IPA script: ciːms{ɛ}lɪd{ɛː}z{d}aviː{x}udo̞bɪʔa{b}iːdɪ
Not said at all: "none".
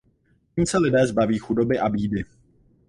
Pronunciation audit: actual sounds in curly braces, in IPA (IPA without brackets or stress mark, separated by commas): ɛ, ɛː, b, x, b